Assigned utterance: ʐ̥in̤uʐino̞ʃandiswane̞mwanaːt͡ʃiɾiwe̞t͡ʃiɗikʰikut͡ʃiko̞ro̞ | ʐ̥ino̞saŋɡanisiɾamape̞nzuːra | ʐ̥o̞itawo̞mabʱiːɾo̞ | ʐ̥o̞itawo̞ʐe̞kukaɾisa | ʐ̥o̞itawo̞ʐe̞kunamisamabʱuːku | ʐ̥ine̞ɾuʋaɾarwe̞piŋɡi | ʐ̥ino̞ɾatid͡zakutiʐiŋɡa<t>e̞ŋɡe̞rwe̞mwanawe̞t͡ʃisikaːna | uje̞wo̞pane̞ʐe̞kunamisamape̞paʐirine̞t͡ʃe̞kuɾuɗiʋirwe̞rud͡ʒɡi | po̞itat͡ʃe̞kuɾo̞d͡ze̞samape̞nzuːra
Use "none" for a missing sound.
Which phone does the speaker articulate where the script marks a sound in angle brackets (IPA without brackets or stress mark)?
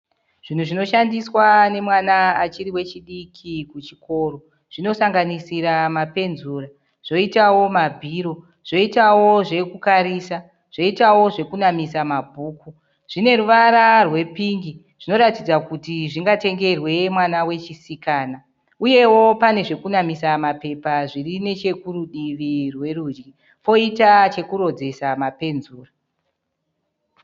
t